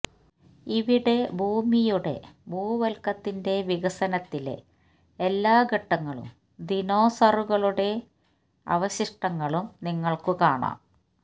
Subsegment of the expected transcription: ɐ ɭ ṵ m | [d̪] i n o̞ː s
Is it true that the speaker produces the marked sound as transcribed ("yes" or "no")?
yes